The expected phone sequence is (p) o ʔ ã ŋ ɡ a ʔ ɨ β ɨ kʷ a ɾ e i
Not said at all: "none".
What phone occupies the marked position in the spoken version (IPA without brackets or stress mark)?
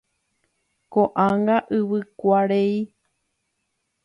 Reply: k